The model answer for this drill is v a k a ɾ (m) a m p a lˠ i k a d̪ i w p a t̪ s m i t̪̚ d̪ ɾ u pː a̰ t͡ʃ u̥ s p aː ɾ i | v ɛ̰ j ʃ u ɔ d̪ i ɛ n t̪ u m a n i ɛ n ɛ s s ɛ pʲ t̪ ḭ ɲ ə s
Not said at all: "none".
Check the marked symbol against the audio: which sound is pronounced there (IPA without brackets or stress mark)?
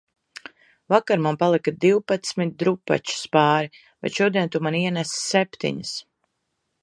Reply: m